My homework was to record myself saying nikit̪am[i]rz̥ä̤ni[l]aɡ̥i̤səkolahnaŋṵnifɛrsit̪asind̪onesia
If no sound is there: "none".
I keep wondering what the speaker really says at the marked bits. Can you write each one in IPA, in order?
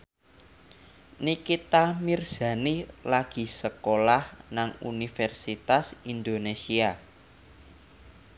i, l

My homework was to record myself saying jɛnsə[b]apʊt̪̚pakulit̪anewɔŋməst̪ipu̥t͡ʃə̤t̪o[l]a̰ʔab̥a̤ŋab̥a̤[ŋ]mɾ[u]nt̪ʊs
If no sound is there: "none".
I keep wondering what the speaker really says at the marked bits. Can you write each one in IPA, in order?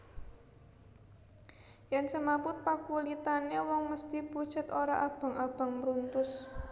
m, ɾ, ŋ, u

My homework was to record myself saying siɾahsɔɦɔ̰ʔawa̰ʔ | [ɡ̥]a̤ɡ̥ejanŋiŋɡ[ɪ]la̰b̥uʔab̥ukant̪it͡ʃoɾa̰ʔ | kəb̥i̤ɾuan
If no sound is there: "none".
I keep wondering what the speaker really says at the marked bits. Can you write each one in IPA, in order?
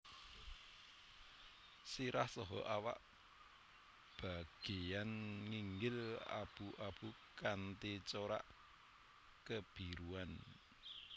b̥, ɪ

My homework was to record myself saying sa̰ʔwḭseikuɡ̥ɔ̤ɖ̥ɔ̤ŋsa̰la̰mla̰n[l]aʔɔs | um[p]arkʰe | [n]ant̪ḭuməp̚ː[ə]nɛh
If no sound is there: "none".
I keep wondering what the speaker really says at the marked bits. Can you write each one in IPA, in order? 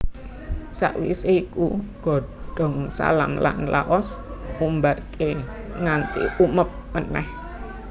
l, b, ŋ, ə

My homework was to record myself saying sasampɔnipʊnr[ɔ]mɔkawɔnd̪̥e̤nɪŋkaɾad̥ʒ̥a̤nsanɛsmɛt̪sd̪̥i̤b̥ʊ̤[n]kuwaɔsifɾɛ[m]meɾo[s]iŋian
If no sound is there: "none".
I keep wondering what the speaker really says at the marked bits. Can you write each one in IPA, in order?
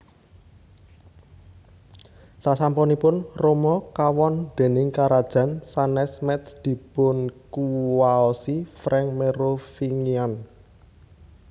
o, n, ŋ, f

